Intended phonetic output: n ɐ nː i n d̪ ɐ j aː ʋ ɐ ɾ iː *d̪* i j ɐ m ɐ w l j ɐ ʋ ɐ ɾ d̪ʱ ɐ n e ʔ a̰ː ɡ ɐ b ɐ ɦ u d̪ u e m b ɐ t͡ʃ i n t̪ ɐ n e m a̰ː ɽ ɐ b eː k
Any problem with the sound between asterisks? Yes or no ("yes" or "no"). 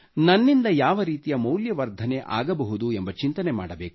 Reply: yes